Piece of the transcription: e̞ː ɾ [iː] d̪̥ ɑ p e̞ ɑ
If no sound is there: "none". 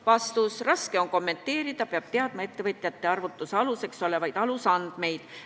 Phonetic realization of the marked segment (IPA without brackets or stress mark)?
i